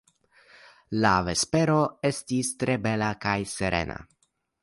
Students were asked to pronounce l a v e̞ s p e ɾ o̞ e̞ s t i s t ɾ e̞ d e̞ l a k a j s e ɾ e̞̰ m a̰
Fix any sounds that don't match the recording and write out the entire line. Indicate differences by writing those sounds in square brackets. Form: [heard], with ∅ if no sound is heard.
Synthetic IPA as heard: l a v e̞ s p e ɾ o̞ e̞ s t i s t ɾ e̞ [b] e̞ l a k a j s e ɾ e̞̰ [n] a̰